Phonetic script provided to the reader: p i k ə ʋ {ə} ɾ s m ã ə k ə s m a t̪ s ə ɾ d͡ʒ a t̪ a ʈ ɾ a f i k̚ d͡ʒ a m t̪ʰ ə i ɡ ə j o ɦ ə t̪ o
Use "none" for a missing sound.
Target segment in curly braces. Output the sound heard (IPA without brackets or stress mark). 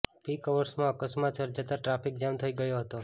ə